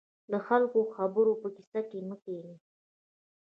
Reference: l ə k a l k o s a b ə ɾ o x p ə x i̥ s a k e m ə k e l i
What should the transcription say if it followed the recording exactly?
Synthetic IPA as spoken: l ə x a l k o x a b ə ɾ o p ə k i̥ s a k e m ə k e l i